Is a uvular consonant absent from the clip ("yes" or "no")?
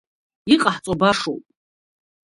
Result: no